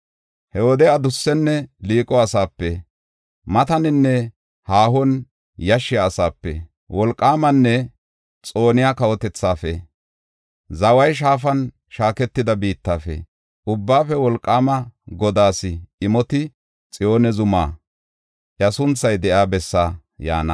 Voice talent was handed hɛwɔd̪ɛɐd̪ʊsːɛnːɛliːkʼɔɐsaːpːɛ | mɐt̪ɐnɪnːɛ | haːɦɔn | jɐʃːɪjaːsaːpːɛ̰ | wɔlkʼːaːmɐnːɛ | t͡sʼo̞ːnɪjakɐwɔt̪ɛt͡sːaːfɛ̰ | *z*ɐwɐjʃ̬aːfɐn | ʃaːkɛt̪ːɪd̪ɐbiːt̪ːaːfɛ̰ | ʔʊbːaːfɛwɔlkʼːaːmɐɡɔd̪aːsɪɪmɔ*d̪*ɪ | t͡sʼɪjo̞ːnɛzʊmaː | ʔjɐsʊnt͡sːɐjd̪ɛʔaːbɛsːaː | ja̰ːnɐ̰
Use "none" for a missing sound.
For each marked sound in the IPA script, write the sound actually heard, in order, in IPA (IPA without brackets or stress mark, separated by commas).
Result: z, t̪